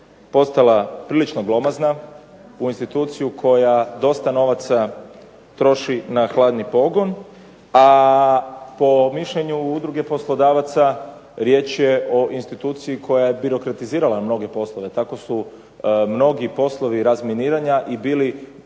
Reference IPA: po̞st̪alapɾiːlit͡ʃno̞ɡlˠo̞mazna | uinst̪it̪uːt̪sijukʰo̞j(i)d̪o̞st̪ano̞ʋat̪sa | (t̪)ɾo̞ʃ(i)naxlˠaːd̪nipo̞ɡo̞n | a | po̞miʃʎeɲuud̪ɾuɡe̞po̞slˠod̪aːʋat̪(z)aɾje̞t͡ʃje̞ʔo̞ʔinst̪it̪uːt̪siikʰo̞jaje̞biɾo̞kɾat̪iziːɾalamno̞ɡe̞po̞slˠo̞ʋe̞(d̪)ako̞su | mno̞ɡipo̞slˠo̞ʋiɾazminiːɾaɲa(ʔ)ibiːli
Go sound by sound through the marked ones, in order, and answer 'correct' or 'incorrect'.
incorrect, correct, correct, incorrect, incorrect, correct

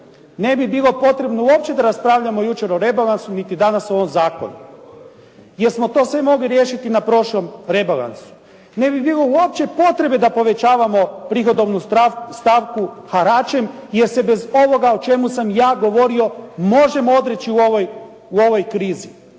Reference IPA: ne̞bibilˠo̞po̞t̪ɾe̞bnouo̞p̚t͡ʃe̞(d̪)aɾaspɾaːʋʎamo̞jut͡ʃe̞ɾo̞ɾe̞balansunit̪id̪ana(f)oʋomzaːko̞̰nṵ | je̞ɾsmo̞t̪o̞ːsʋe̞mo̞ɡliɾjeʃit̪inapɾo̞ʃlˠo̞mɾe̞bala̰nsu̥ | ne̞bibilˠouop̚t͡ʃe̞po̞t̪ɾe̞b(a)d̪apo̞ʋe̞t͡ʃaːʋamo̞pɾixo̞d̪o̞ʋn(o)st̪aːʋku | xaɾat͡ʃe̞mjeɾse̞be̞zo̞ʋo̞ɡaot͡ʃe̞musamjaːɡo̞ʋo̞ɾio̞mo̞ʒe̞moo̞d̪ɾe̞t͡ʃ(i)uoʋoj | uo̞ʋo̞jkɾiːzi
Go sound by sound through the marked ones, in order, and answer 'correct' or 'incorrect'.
correct, incorrect, incorrect, incorrect, correct

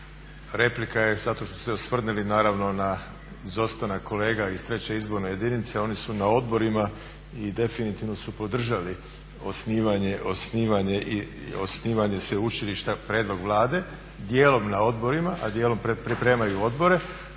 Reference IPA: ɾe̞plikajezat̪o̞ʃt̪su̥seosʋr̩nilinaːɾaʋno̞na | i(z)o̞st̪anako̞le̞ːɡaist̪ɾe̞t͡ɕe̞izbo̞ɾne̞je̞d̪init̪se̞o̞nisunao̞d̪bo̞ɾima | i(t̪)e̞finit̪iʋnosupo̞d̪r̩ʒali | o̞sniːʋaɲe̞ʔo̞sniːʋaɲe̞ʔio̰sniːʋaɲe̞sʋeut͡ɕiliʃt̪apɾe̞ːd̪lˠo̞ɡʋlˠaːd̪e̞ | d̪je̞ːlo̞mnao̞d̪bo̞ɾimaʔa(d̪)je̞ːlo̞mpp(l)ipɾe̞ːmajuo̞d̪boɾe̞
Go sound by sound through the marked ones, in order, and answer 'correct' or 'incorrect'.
correct, incorrect, correct, incorrect

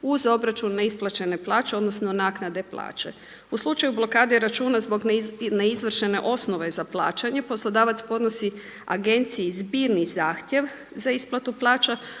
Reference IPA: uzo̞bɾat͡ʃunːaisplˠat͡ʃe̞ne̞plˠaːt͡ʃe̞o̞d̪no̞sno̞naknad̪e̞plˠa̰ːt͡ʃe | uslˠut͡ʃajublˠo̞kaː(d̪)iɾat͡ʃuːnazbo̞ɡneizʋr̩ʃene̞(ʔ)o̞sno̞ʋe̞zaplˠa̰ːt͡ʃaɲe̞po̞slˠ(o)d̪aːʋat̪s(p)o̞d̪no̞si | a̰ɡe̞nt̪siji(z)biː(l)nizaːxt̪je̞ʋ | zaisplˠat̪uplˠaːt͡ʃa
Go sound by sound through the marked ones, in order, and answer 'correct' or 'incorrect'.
correct, correct, correct, correct, correct, incorrect

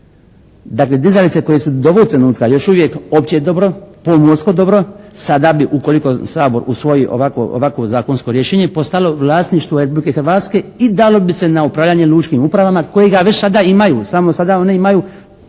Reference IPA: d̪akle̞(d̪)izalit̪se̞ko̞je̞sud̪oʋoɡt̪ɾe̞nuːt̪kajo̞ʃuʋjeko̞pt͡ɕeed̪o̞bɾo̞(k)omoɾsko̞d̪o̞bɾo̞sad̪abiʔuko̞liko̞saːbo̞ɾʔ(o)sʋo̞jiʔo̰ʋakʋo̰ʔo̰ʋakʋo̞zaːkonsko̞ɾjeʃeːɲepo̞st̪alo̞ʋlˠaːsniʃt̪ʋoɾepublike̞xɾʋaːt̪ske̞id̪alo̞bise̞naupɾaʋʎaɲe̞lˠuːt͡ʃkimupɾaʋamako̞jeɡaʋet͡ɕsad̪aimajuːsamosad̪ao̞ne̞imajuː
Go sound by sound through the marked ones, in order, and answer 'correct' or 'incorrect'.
correct, incorrect, incorrect

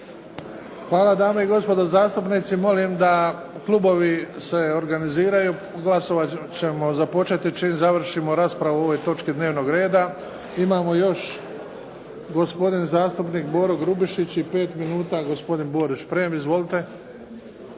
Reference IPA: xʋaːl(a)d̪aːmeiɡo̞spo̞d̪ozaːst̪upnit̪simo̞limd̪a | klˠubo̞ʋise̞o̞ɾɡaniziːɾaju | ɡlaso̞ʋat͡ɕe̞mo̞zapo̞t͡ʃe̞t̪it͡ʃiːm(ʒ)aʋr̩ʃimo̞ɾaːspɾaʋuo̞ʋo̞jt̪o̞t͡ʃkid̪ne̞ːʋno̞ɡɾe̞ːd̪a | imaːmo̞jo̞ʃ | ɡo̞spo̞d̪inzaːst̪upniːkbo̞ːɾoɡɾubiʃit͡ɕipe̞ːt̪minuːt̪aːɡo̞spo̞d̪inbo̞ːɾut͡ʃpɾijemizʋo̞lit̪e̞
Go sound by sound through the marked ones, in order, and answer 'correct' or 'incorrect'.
correct, incorrect

